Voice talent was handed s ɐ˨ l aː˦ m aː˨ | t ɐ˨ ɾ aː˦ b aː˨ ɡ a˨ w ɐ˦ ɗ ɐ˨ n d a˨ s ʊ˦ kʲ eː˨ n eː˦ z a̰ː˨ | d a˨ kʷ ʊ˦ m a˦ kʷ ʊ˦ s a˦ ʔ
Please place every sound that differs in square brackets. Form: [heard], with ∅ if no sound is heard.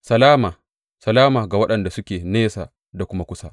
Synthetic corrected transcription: s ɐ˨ l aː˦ m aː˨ | [s] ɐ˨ [l] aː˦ [m] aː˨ ɡ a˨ w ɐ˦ ɗ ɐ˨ n d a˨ s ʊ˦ kʲ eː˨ n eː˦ [s] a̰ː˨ | d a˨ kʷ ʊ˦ m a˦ kʷ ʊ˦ s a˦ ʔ